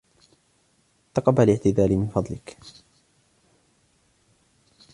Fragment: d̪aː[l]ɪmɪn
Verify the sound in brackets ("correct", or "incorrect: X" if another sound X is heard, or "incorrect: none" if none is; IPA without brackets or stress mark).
correct